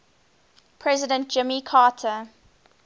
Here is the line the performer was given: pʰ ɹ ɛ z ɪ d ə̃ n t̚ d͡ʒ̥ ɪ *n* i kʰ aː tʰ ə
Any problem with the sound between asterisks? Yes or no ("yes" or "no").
yes